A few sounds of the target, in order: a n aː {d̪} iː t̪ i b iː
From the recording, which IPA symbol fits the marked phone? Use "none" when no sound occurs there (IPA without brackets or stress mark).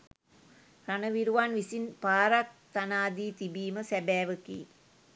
d̪